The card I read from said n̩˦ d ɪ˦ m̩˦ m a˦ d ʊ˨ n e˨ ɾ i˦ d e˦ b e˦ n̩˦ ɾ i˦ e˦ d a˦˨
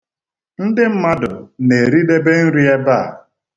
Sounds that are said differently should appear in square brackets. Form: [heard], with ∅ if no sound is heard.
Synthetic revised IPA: n̩˦ d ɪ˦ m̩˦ m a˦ d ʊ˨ n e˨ ɾ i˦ d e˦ b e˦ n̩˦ ɾ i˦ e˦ [b] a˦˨